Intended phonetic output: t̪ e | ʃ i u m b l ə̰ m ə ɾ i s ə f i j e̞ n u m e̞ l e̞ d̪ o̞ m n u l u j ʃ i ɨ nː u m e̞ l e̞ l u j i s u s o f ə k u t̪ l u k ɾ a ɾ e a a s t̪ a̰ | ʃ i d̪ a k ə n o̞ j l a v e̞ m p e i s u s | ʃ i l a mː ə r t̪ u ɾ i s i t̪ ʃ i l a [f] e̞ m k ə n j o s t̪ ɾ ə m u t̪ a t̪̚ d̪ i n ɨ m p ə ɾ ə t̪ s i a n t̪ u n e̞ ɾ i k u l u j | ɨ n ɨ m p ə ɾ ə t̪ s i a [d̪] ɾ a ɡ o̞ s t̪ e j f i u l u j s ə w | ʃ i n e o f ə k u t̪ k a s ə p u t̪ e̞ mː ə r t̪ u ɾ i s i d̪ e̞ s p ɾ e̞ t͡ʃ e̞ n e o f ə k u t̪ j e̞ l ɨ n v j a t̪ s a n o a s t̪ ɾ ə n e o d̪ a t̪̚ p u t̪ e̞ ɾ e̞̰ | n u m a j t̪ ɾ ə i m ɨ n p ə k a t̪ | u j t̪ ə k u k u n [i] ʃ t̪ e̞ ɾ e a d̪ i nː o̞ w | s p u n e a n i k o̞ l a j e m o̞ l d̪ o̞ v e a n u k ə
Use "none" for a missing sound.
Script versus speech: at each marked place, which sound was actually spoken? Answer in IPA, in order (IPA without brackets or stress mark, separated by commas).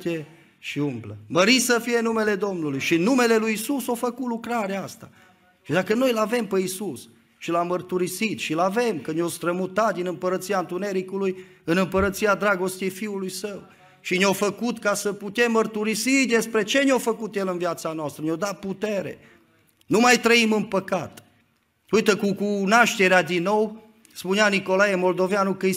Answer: v, d̪, a